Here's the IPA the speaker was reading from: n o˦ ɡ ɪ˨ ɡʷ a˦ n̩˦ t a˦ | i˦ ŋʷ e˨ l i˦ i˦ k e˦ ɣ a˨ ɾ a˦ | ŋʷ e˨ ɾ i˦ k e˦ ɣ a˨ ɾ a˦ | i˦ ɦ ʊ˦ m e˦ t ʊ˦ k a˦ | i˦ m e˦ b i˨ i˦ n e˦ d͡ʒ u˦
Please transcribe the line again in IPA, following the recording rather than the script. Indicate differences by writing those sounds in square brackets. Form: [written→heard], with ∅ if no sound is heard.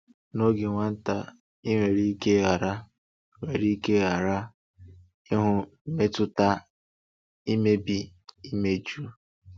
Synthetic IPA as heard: n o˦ ɡ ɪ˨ [ɡʷ→ŋʷ] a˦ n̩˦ t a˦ | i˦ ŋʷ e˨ [l→ɾ] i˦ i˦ k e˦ ɣ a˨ ɾ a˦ | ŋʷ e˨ ɾ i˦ k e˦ ɣ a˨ ɾ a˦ | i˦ ɦ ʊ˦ m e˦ t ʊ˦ [k→t] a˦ | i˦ m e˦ b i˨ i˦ [n→m] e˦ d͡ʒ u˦